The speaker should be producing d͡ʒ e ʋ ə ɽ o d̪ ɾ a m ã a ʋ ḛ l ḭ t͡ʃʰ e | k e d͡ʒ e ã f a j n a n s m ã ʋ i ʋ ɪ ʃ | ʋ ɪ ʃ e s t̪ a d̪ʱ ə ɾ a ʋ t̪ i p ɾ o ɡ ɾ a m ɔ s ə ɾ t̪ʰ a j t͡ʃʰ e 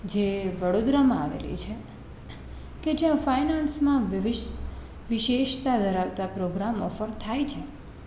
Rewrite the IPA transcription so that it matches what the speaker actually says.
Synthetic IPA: d͡ʒ e ʋ ə ɽ o d̪ ɾ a m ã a ʋ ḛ l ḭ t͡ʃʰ e | k e d͡ʒ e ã f a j n a n s m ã ʋ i ʋ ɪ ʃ | ʋ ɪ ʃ e ʃ t̪ a d̪ʱ ə ɾ a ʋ t̪ a p ɾ o ɡ ɾ a m ɔ f ə ɾ t̪ʰ a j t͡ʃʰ e